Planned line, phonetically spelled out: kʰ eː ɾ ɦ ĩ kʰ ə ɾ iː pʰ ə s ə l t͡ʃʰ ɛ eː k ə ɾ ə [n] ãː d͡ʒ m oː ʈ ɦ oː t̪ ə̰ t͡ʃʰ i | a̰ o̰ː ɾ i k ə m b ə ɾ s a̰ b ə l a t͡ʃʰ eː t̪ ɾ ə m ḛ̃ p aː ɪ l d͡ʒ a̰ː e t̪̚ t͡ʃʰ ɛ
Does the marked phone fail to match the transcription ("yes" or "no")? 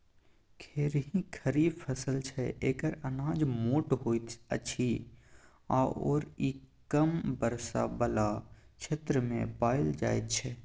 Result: no